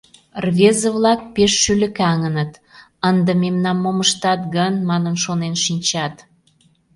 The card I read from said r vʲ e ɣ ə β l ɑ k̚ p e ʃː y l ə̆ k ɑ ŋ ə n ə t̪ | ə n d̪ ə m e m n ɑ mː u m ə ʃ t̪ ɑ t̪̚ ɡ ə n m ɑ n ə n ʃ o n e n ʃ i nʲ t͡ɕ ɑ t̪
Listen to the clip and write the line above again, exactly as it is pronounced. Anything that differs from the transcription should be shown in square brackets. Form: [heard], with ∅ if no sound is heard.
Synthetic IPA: r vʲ e [z] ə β l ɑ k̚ p e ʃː y l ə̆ k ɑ ŋ ə n ə t̪ | ə n d̪ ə m e m n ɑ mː [o] m ə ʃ t̪ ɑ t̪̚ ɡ ə n m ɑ n ə n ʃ o n e n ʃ i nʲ t͡ɕ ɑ t̪